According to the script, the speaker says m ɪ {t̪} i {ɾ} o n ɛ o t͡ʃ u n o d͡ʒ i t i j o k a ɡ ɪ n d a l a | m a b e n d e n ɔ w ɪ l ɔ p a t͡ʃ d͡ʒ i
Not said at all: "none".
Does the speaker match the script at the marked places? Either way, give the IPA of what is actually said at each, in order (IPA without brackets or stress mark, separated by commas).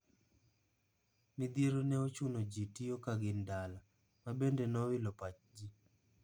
d̪, ɾ